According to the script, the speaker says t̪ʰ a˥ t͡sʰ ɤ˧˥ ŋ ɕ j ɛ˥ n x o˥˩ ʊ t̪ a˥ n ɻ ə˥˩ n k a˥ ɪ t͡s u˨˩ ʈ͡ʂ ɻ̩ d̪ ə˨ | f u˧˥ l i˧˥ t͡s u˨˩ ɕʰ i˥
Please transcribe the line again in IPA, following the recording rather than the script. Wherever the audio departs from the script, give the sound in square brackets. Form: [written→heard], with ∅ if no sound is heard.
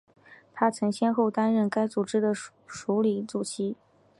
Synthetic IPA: t̪ʰ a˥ t͡sʰ ɤ˧˥ ŋ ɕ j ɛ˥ n x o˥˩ ʊ t̪ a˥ n ɻ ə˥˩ n k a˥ ɪ t͡s u˨˩ ʈ͡ʂ ɻ̩ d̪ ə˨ | [f→ʂ] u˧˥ l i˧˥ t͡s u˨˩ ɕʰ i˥